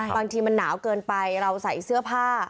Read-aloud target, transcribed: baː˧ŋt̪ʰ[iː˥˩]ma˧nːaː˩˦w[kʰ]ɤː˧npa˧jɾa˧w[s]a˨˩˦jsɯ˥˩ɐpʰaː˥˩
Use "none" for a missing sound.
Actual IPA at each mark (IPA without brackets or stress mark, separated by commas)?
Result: iː˧, k, s